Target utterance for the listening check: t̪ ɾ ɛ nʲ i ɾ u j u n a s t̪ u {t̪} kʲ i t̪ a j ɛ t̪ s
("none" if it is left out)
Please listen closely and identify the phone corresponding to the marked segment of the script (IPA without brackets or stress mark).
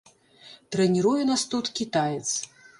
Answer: t̪